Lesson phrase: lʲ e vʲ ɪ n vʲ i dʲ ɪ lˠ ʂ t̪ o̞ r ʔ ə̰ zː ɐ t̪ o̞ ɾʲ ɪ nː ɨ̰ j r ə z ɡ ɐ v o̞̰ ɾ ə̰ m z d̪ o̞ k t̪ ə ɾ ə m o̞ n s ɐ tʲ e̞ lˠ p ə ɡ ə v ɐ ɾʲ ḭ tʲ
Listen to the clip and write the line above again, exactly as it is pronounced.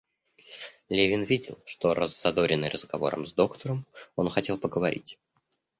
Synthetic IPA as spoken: lʲ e vʲ ɪ n vʲ i dʲ ɪ lˠ ʂ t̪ o̞ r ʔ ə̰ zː ɐ d̪ o̞ ɾʲ ɪ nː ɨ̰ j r ə z ɡ ɐ v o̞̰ ɾ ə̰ m z d̪ o̞ k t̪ ə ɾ ə m o̞ n x ɐ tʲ e̞ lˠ p ə ɡ ə v ɐ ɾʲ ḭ tʲ